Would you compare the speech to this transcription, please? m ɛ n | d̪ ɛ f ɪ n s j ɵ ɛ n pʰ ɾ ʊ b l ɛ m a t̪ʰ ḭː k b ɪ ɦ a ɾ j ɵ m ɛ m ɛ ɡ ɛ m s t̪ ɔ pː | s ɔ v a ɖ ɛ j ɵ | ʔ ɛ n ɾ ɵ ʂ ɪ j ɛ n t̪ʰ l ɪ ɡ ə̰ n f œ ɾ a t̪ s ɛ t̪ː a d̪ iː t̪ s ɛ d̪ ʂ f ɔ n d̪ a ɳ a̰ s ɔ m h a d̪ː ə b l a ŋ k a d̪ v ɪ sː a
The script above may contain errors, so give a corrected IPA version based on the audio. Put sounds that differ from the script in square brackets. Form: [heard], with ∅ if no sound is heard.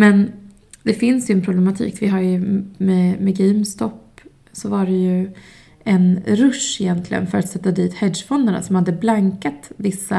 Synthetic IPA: m ɛ n | d̪ ɛ f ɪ n s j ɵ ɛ n pʰ ɾ ʊ b l ɛ m a t̪ʰ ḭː k [v] ɪ ɦ a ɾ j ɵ m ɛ m ɛ ɡ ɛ m s t̪ ɔ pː | s ɔ v a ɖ ɛ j ɵ | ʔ ɛ n ɾ ɵ ʂ ɪ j ɛ n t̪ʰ l ɪ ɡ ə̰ n f œ ɾ a t̪ s ɛ t̪ː a d̪ iː t̪ [h] ɛ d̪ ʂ f ɔ n d̪ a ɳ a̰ s ɔ m h a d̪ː ə b l a ŋ k a [t̪] v ɪ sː a